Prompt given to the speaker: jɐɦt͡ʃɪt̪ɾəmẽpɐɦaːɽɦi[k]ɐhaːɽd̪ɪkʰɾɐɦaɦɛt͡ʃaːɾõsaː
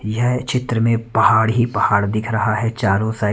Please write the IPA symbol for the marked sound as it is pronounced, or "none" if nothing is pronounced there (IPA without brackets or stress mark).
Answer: p